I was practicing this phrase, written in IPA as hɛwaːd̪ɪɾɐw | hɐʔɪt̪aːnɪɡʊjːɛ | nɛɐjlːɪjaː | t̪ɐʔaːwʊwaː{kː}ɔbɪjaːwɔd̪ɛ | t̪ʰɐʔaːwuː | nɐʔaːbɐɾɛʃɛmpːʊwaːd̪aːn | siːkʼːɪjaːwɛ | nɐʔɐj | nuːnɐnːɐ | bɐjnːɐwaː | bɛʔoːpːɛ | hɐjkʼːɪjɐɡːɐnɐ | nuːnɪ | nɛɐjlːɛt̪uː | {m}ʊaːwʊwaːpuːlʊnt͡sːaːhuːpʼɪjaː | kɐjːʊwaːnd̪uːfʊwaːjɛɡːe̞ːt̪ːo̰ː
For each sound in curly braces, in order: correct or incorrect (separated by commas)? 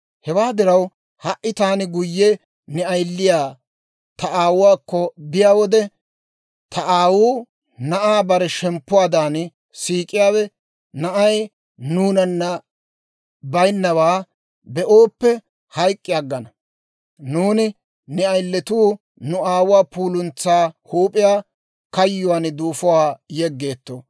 correct, incorrect